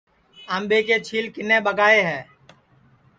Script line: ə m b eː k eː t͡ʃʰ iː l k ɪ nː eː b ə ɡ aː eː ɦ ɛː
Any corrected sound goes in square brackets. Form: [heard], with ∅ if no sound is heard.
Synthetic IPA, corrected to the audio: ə m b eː k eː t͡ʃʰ iː l k ɪ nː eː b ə ɡ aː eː ɦ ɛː